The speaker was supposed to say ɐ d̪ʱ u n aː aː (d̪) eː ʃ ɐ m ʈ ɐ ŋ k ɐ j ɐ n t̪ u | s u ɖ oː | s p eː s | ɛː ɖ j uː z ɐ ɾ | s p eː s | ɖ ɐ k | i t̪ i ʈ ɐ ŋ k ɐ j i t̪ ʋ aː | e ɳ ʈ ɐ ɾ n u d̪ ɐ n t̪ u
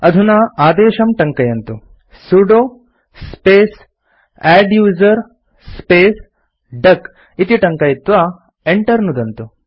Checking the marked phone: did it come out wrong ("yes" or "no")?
no